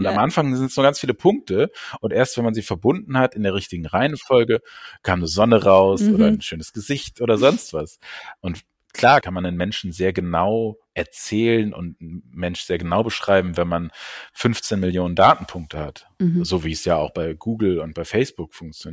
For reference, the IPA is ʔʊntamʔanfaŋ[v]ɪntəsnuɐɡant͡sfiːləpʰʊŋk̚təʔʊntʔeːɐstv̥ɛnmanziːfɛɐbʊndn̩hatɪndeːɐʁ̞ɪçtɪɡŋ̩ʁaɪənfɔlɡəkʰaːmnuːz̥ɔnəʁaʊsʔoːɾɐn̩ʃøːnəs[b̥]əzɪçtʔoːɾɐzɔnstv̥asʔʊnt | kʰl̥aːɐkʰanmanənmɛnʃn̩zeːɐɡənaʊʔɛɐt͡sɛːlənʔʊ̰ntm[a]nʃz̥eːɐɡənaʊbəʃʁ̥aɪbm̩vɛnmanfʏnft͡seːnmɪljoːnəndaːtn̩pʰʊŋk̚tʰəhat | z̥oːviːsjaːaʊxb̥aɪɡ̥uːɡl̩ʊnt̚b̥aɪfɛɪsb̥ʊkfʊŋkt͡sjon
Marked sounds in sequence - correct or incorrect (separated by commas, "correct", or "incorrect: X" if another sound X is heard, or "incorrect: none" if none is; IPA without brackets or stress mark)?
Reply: incorrect: z, incorrect: ɡ̥, incorrect: ɛ